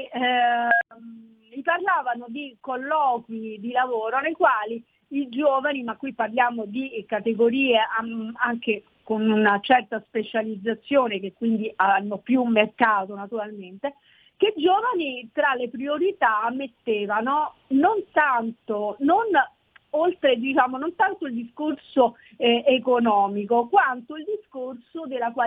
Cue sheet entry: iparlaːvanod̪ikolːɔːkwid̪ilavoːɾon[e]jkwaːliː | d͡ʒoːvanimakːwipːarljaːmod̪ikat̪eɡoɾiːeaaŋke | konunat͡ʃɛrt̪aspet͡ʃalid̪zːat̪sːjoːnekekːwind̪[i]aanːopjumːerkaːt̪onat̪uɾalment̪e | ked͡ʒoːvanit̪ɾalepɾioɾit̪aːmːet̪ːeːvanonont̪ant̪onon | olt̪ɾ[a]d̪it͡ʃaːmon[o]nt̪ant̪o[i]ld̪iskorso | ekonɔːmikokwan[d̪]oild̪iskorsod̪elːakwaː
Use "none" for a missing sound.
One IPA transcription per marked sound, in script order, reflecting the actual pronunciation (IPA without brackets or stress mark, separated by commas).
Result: e, i, e, o, i, t̪